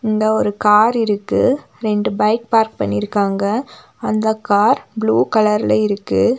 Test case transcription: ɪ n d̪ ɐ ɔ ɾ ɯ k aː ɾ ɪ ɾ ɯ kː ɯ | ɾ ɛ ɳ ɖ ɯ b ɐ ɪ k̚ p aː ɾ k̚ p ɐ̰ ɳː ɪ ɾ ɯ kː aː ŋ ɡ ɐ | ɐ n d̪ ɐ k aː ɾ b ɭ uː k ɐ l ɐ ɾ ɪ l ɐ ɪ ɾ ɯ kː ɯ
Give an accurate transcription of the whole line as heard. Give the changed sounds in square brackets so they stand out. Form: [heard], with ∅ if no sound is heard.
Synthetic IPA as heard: ɪ n d̪ ɐ ɔ ɾ ɯ k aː ɾ ɪ ɾ ɯ kː ɯ | ɾ ɛ ɳ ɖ ɯ b ɐ ɪ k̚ p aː ɾ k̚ p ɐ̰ ɳː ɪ ɾ ɯ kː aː ŋ ɡ ɐ | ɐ n d̪ ɐ k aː ɾ b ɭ uː k ɐ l ɐ ɾ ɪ l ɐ ɪ ɾ ɯ kː ɯ